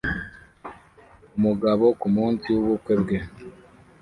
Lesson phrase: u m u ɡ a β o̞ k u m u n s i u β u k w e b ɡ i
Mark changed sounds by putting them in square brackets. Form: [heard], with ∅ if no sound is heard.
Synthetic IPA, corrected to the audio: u m u ɡ a β o̞ k u m [uː] n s i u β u k w e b ɡ [e]